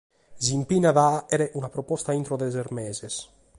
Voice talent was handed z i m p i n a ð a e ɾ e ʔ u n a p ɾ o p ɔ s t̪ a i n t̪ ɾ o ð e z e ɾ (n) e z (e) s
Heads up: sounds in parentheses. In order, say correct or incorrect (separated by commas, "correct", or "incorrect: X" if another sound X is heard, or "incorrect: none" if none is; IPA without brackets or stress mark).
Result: incorrect: m, correct